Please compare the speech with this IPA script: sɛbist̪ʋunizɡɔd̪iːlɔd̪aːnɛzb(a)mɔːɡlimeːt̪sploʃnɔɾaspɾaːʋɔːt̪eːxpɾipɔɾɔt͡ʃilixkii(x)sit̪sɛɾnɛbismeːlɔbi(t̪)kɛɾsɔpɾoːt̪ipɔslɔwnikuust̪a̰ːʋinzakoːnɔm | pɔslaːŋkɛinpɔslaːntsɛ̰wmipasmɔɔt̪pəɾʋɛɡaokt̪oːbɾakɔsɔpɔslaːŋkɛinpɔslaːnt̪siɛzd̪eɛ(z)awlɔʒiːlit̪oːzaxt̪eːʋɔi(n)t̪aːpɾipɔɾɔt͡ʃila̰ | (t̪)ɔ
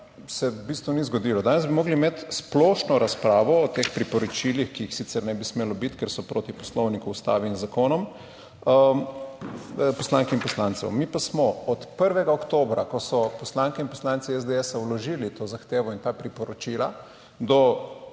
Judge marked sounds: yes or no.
no, yes, yes, no, yes, no

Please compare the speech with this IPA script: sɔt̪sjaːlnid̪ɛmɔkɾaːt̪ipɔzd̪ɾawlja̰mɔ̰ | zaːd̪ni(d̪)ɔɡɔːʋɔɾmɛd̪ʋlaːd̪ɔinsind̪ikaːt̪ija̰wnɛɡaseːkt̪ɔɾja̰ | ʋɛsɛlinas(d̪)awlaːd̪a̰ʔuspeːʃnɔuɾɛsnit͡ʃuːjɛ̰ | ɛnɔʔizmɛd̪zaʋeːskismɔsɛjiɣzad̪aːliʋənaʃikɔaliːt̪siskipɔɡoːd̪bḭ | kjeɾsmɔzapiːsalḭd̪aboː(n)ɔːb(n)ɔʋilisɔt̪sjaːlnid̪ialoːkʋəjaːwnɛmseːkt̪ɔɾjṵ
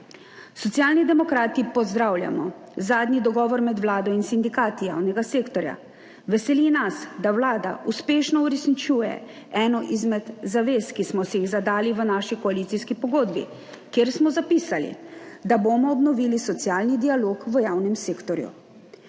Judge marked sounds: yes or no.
yes, yes, no, yes

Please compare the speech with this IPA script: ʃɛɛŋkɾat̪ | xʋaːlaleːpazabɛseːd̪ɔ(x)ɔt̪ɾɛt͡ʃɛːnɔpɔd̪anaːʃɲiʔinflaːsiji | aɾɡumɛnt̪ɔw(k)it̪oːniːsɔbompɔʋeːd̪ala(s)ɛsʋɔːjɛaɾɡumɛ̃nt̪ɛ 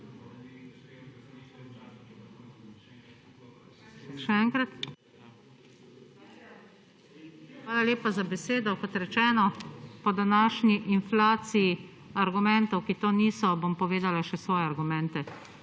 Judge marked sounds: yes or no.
no, yes, no

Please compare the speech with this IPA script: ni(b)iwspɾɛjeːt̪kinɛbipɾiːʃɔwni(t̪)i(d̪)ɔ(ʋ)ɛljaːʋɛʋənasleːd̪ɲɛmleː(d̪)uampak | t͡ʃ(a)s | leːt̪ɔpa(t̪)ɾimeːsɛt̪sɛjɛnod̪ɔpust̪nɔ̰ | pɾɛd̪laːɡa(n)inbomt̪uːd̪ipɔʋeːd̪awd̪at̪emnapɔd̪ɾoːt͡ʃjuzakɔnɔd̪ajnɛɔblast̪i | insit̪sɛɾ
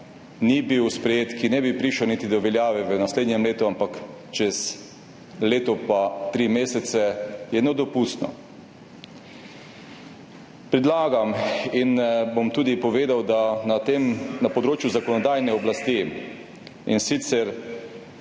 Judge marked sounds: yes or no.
yes, yes, yes, yes, no, no, yes, no

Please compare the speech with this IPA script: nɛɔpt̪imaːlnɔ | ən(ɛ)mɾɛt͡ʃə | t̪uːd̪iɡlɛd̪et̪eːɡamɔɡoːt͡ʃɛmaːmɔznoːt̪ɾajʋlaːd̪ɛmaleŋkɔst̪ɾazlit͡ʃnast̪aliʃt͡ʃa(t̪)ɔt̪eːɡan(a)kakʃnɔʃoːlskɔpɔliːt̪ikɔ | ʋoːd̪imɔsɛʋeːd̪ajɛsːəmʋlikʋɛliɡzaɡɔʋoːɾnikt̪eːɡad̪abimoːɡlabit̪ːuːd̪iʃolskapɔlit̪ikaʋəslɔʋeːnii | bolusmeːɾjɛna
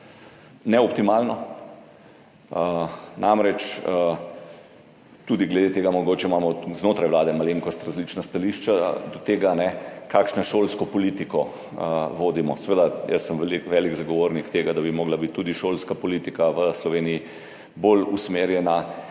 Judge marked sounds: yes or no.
no, no, no

